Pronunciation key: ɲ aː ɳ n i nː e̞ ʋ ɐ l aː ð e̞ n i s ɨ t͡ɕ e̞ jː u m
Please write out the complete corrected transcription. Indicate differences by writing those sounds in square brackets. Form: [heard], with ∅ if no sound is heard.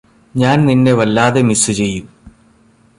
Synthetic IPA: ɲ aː [n] n i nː e̞ ʋ ɐ [lː] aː ð e̞ [m] i s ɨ t͡ɕ e̞ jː u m